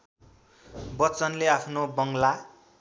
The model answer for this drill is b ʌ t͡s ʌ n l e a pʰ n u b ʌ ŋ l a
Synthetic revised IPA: b ʌ t͡s ʌ n l e a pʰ n o b ʌ ŋ l a

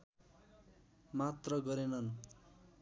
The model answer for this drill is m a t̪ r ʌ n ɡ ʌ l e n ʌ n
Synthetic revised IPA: m a t̪ r ʌ ɡ ʌ ɾ e n ʌ n

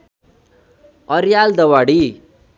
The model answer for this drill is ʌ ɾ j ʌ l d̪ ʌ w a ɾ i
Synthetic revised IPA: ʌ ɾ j a l d̪ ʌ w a ɽ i

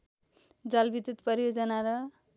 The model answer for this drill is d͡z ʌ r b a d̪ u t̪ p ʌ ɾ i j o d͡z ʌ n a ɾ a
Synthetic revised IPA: d͡z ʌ l b i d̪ u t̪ p ʌ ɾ i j o d͡z ʌ n a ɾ ʌ

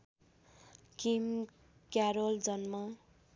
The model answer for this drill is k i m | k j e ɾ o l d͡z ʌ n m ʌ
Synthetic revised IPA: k i m | k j a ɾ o l d͡z ʌ n m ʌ

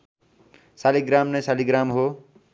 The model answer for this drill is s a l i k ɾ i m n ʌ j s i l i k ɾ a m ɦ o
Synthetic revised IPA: s a l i ɡ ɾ a m n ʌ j s a l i ɡ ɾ a m ɦ o

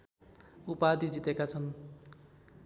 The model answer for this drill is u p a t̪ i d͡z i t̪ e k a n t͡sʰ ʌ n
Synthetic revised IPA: u p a d̪ i d͡z i t̪ e k a t͡sʰ ʌ n

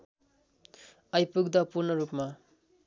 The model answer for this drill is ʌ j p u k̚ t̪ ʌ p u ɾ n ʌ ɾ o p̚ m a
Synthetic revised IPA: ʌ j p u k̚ d̪ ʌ p u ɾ n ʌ ɾ u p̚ m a

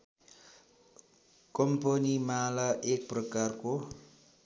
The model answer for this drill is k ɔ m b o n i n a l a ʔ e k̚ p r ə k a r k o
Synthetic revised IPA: k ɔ m p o n i m a l a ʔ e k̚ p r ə k a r k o

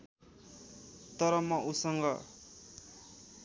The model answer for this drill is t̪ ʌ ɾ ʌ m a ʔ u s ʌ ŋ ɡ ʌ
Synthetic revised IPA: t̪ ʌ ɾ ʌ m ʌ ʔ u s ʌ ŋ ɡ ʌ

